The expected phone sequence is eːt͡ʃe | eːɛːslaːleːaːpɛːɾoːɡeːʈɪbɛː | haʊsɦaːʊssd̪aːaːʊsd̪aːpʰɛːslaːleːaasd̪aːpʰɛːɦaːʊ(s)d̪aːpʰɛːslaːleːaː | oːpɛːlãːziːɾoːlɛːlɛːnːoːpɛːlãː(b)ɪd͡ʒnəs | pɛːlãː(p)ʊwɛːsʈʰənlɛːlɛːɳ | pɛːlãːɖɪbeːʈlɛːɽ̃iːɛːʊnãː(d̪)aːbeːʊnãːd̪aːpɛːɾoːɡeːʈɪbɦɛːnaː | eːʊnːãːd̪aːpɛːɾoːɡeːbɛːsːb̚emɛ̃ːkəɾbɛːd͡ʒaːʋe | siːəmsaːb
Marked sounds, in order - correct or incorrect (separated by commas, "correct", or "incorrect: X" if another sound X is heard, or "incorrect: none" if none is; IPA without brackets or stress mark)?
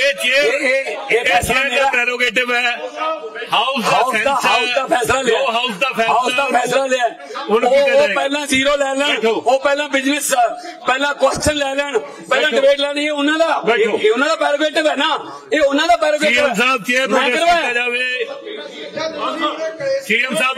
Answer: correct, correct, incorrect: k, correct